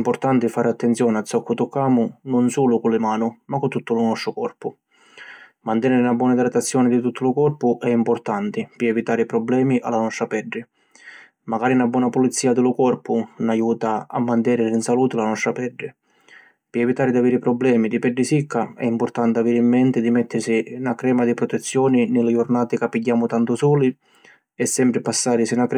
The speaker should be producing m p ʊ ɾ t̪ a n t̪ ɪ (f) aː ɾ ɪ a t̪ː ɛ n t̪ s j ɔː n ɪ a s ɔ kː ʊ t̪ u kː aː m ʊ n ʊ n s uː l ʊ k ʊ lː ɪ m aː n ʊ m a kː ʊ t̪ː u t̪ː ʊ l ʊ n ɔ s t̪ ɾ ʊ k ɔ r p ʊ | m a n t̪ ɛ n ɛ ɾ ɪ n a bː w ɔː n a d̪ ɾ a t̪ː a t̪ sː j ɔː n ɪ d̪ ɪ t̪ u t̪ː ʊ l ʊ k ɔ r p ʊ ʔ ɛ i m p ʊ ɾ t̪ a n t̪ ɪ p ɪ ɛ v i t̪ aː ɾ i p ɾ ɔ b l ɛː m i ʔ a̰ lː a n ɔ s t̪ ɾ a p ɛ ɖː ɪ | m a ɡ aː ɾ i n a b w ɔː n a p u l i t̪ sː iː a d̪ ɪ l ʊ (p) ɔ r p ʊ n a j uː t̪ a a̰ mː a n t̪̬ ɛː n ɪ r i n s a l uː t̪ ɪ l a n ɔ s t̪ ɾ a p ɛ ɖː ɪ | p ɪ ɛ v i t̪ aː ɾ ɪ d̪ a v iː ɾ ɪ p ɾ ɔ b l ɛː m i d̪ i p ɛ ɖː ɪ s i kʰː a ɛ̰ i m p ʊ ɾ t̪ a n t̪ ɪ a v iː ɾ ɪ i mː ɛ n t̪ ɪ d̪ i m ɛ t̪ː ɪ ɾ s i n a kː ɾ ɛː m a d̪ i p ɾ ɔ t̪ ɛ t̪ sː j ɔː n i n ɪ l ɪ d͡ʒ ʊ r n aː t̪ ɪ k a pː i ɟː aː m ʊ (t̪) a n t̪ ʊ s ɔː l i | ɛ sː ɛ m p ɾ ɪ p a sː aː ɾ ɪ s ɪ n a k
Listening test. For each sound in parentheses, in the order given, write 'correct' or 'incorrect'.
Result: correct, incorrect: k, correct

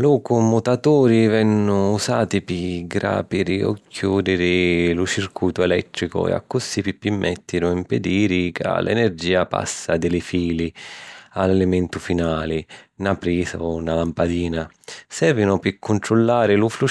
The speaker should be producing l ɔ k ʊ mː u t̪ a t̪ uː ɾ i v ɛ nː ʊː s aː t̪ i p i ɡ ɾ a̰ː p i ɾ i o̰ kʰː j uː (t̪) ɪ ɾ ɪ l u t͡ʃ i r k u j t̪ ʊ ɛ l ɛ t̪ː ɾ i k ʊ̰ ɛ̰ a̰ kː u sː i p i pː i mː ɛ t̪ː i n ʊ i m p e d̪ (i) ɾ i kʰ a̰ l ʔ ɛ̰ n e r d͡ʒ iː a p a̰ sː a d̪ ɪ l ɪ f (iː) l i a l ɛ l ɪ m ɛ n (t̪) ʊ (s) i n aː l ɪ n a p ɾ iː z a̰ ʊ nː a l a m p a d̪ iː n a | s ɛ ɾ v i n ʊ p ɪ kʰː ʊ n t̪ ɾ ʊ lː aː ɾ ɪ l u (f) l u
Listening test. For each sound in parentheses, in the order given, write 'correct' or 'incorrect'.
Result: incorrect: d̪, incorrect: iː, correct, correct, incorrect: f, correct

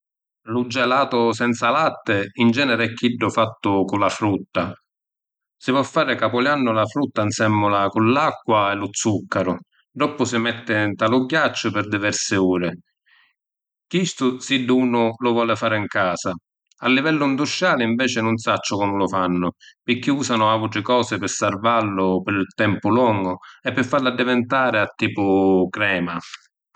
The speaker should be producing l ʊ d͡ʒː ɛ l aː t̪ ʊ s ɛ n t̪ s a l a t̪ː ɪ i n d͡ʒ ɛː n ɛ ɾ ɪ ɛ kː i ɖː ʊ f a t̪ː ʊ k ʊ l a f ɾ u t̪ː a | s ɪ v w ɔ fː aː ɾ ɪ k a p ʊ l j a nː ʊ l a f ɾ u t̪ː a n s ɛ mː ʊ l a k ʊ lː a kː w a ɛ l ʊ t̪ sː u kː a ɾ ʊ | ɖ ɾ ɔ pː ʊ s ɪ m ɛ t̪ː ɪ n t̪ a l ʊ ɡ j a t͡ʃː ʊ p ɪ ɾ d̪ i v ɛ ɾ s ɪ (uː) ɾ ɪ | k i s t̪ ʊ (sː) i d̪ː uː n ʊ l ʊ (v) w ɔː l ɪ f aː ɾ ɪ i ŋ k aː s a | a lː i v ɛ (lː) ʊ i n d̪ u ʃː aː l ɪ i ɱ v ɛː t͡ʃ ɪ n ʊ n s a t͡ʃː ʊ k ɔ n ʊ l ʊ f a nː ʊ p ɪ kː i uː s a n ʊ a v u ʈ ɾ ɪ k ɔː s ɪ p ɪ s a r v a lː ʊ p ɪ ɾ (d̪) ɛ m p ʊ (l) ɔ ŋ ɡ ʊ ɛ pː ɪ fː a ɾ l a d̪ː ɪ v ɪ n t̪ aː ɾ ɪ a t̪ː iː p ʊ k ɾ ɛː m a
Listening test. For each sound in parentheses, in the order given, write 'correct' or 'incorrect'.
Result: correct, incorrect: s, correct, correct, incorrect: t̪, correct

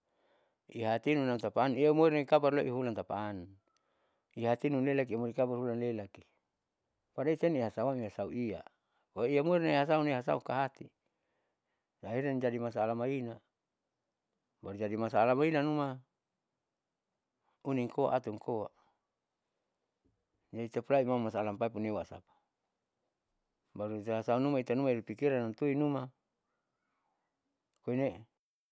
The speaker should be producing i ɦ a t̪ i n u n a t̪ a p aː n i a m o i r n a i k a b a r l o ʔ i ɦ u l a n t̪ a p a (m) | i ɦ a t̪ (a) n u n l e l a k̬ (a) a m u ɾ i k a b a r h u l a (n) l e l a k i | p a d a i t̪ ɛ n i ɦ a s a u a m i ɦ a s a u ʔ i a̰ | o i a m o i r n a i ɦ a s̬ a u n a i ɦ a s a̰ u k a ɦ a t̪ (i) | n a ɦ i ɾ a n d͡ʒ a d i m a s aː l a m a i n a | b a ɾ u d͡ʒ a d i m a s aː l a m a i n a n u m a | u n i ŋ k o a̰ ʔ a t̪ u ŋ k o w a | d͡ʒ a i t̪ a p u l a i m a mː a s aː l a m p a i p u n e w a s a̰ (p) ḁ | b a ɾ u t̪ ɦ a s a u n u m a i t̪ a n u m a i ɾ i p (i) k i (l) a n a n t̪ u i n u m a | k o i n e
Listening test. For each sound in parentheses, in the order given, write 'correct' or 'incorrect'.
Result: incorrect: n, incorrect: i, incorrect: i, correct, correct, correct, correct, incorrect: ɾ

